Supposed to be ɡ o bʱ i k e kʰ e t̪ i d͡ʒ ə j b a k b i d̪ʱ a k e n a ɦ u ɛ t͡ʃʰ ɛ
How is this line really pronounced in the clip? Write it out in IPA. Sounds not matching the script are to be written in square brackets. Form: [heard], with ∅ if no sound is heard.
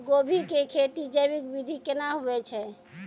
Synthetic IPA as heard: ɡ o bʱ i k e kʰ e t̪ i d͡ʒ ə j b [i] k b i d̪ʱ [i] k e n a ɦ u ɛ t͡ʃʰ ɛ